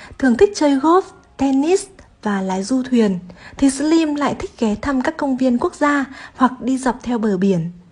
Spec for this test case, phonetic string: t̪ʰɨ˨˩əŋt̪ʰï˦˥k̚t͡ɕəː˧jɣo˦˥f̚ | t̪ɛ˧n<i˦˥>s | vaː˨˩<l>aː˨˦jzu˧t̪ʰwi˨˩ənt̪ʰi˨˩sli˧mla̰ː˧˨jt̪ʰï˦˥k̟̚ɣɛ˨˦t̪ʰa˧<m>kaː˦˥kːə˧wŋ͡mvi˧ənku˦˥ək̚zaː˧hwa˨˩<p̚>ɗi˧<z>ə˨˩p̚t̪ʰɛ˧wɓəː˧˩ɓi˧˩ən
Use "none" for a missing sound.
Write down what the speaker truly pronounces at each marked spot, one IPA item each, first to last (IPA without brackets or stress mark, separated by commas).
i˦˥, l, m, k̚, z